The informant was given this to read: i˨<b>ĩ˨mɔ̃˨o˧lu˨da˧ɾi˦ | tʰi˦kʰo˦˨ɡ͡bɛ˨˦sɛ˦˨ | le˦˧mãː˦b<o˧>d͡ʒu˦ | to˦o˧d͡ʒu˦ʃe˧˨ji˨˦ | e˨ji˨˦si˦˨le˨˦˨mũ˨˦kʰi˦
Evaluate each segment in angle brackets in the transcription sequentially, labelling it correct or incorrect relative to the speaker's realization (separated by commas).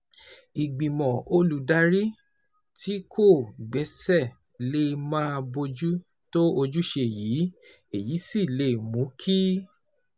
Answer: incorrect, correct